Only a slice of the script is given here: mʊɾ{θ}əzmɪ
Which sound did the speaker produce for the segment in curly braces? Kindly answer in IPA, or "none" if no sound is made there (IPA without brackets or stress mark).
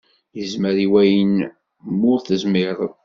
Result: θ